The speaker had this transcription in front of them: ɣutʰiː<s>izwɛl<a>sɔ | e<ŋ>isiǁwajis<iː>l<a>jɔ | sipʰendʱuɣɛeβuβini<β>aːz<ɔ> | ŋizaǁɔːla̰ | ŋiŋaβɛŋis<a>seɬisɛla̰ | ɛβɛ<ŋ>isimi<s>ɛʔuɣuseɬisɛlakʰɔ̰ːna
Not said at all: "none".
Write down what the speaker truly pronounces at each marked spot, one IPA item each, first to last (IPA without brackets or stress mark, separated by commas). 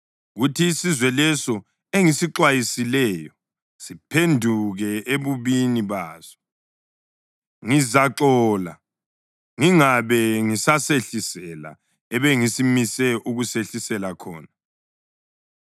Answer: s, ɛ, ŋ, i, ɛ, β, ɔ, a, ŋ, s